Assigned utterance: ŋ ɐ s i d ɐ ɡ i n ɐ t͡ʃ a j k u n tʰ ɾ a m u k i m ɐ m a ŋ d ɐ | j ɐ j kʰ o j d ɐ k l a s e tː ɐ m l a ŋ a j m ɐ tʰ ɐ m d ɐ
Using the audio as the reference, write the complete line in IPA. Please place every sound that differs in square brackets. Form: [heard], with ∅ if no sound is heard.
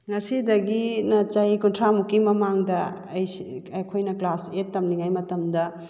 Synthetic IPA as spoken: ŋ ɐ s i d ɐ ɡ i n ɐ t͡ʃ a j k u n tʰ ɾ a m u k i m ɐ m a ŋ d ɐ | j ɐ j kʰ o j [n] ɐ k l a s e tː ɐ m l [i] ŋ a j m ɐ [t] ɐ m d ɐ

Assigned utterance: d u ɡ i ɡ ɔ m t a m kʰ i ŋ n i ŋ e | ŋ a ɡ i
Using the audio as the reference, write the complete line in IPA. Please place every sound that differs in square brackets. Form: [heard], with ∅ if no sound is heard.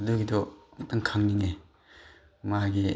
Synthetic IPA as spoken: d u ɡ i [d] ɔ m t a [ŋ] kʰ [a] ŋ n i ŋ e | [m] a ɡ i

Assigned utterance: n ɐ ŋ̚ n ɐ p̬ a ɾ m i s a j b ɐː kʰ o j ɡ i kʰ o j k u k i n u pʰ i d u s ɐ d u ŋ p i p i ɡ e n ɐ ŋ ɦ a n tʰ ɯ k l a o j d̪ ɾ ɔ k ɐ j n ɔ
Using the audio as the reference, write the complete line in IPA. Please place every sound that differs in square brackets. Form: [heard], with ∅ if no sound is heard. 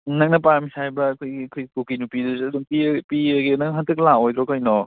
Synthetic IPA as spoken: n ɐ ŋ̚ n ɐ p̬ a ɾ m i s a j b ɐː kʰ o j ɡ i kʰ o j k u k i n u [p] i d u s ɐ d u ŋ p i p i ɡ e n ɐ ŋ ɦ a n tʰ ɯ k l a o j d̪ ɾ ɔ k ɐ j n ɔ

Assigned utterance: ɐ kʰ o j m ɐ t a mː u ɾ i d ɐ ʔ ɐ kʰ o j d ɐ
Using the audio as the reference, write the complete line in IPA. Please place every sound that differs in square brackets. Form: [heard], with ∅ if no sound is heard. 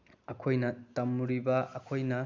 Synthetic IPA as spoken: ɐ kʰ o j [n] ɐ t [ɐ] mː u ɾ i [b] ɐ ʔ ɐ kʰ o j [n] ɐ

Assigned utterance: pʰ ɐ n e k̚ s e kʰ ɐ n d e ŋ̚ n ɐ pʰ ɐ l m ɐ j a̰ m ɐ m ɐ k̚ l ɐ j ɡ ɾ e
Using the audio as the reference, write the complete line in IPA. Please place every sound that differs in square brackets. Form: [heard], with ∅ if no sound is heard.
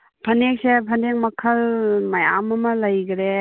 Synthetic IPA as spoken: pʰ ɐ n e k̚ s e [pʰ] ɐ n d e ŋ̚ [m] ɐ [kʰ] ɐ l m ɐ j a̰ m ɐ m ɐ [∅] l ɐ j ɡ ɾ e

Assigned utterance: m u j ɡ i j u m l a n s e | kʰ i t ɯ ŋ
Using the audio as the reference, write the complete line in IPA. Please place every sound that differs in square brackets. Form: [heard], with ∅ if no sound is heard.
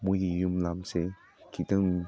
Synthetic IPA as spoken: m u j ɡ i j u m l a [m] s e | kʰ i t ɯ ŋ

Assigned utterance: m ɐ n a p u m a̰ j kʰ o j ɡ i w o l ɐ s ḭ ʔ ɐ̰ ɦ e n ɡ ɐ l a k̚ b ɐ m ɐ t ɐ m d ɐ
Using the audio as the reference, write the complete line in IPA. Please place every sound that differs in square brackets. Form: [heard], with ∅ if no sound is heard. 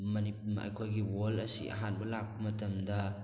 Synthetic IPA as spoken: m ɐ n [i] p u m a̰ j kʰ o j ɡ i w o l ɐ s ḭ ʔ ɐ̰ ɦ [a] n [b] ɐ l a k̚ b ɐ m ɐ t ɐ m d ɐ

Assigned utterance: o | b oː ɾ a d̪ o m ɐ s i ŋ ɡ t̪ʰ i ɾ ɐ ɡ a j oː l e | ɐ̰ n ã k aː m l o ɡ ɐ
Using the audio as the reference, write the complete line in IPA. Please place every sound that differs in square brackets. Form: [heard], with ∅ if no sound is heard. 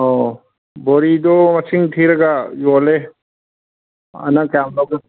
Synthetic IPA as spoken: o | b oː ɾ [i] d̪ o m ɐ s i ŋ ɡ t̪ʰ i ɾ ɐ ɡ a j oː l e | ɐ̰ n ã k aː m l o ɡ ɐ

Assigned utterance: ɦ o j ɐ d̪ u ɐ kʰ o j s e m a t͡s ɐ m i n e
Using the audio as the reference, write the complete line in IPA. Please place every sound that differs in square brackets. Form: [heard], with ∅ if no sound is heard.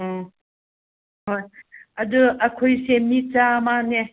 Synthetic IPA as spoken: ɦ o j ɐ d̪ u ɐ kʰ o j s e m [i] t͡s [a] m [a] n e

